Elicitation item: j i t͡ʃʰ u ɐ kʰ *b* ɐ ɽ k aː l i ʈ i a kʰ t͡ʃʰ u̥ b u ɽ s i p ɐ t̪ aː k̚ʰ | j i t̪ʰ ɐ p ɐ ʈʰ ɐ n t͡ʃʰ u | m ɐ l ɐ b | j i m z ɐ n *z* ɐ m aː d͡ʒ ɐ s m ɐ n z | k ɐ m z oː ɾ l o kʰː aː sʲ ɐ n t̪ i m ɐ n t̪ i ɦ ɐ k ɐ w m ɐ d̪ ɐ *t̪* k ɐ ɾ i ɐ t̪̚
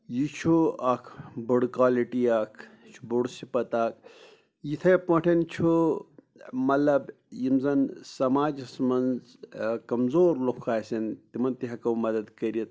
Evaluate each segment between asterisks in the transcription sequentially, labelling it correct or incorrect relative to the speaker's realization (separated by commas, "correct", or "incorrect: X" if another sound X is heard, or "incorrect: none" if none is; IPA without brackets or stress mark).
correct, incorrect: s, incorrect: d̪